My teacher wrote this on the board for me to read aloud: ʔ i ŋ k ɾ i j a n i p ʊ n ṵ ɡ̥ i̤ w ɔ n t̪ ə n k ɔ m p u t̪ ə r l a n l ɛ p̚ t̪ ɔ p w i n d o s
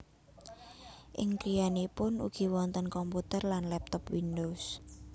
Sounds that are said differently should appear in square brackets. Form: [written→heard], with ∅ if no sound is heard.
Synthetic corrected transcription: ʔ [i→ɪ] ŋ k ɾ i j a n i p ʊ n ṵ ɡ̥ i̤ w ɔ n t̪ ə n k ɔ m p u t̪ ə r l a n l ɛ p̚ t̪ ɔ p w i n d o s